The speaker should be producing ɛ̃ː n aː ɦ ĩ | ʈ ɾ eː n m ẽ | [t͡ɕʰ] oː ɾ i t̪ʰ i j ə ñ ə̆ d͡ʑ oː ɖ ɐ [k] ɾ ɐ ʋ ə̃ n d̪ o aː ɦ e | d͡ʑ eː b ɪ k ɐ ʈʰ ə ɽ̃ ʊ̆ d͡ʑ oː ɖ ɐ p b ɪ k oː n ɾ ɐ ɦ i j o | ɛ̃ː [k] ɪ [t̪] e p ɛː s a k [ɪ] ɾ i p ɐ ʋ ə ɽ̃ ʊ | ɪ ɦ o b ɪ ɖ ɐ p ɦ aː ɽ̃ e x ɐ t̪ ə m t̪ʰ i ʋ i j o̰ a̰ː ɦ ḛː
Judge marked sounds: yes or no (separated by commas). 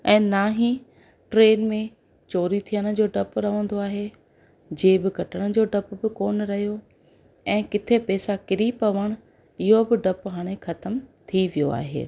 no, no, yes, no, yes